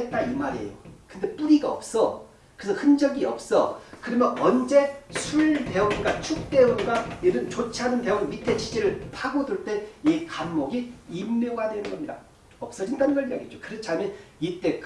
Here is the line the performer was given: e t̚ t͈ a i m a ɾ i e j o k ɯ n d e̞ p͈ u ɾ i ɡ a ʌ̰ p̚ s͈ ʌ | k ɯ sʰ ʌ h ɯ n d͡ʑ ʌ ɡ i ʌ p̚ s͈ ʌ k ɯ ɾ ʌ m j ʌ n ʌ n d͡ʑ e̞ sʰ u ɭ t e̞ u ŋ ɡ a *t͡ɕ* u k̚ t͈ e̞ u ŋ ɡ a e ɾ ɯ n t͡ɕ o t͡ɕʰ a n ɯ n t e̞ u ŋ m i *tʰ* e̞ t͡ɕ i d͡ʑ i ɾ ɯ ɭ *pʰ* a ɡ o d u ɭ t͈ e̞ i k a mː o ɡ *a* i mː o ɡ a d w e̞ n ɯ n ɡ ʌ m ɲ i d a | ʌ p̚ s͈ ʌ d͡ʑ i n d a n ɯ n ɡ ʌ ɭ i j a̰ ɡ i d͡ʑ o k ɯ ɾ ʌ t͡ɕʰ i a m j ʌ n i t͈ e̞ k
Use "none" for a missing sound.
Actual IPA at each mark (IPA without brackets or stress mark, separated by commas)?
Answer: t͡ɕʰ, tʰ, pʰ, i